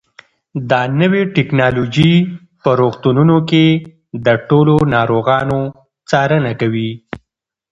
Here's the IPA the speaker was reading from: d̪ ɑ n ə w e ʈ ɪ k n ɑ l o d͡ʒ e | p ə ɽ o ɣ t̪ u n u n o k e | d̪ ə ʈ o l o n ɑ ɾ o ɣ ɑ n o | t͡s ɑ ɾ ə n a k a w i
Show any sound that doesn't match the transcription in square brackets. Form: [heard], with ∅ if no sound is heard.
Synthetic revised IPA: d̪ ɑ n ə w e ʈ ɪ k n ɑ l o d͡ʒ [i] | p ə [ɾ] o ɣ t̪ u n u n o k e | d̪ ə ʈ o l o n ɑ ɾ o ɣ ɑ n o | t͡s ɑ ɾ ə n a k a w i